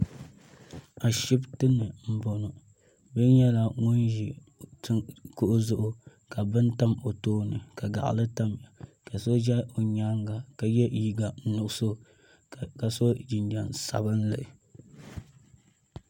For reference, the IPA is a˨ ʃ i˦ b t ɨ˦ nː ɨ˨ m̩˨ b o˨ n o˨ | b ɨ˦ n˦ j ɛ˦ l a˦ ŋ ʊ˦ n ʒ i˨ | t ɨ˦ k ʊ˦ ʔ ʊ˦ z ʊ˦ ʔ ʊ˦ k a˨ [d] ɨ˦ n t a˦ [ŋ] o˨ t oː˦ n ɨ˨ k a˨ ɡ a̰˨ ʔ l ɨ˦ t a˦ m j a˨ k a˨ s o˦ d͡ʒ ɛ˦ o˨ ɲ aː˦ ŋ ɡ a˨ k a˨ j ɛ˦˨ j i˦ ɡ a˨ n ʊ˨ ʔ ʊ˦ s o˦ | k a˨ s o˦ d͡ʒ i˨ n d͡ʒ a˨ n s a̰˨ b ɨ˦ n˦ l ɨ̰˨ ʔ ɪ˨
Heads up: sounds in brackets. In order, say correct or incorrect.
incorrect: b, incorrect: m

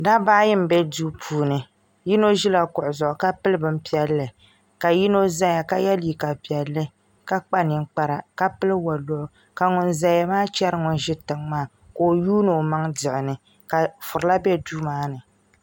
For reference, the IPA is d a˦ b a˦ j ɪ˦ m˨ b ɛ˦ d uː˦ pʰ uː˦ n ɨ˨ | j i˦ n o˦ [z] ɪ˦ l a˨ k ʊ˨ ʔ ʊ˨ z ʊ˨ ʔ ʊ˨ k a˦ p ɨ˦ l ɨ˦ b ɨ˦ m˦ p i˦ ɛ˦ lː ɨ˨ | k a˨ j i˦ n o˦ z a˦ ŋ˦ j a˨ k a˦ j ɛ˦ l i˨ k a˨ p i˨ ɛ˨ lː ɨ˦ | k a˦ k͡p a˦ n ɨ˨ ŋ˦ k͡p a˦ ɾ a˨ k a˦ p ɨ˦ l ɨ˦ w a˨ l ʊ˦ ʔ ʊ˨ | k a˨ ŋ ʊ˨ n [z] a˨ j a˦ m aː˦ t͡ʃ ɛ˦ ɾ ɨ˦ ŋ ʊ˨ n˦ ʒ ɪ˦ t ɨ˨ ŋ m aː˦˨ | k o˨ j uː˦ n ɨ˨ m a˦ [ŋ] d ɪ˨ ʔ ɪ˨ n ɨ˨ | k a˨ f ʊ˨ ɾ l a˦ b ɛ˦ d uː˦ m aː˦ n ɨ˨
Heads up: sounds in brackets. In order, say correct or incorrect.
incorrect: ʒ, correct, correct

